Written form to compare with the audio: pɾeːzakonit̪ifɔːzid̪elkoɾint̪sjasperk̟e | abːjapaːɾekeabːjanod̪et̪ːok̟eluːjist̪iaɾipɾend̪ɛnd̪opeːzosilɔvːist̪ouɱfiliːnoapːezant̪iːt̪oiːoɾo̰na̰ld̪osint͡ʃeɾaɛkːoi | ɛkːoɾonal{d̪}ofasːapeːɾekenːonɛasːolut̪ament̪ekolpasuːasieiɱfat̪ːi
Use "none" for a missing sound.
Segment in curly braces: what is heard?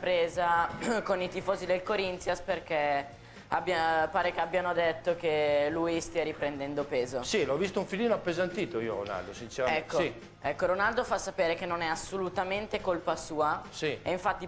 d̪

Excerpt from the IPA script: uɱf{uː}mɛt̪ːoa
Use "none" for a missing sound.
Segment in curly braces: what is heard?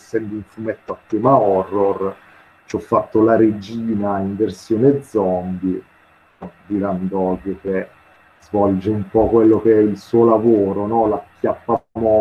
u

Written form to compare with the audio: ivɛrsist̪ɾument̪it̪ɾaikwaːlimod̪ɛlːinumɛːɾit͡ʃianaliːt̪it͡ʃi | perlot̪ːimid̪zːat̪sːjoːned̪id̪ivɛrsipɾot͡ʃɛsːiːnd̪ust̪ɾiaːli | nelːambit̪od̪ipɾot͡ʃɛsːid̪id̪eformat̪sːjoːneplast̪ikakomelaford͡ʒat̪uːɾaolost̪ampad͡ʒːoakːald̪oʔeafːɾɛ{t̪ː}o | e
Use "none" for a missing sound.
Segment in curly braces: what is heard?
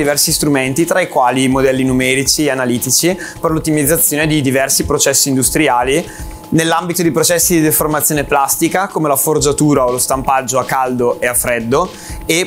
d̪ː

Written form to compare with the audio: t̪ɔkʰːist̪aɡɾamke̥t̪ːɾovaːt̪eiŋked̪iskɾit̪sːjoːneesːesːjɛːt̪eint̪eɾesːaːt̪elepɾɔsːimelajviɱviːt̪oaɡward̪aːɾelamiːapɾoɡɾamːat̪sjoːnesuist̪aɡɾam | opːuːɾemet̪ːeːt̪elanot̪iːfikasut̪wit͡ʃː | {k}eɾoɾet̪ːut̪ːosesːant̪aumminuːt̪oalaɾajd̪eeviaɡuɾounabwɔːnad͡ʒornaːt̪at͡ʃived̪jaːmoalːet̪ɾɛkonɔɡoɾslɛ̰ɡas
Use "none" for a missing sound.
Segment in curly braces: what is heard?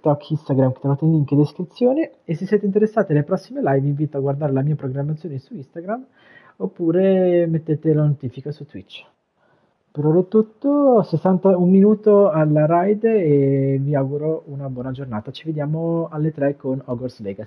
p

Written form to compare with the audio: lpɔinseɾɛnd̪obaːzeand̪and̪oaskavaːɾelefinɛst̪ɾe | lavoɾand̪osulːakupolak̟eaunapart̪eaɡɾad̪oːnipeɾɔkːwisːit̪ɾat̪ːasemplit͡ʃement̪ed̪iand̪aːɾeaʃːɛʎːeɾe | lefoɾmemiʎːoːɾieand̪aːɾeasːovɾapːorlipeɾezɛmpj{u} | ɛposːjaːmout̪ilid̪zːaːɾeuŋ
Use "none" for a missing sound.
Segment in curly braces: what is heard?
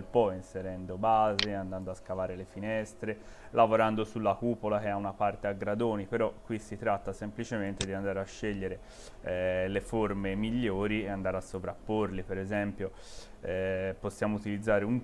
o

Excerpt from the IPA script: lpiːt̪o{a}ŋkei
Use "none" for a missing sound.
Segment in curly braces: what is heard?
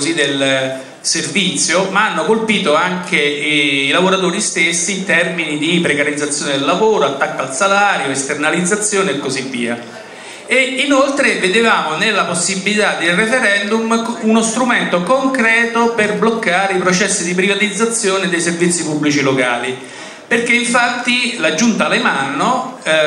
a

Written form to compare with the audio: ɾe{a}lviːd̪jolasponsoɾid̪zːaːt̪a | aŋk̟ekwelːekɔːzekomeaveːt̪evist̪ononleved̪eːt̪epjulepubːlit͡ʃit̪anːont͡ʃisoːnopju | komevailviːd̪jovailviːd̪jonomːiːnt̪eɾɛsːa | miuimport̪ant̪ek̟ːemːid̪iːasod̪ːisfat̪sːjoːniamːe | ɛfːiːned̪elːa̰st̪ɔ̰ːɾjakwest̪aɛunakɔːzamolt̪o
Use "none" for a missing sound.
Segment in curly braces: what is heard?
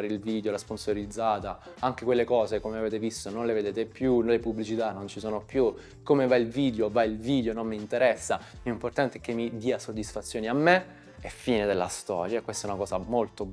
i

